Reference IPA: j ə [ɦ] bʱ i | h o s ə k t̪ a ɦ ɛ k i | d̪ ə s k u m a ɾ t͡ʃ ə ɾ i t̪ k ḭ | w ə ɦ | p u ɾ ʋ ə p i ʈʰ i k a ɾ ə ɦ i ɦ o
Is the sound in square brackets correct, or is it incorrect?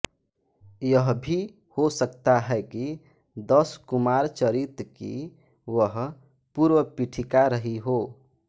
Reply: correct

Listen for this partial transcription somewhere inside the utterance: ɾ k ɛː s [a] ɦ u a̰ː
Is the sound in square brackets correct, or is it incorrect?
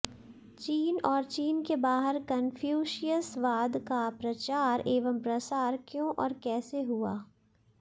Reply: incorrect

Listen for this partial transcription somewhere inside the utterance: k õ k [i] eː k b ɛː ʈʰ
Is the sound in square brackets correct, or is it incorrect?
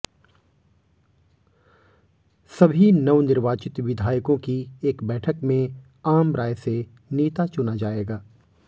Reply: correct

